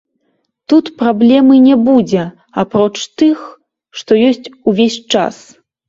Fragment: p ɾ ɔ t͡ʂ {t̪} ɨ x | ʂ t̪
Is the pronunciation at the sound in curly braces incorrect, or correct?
correct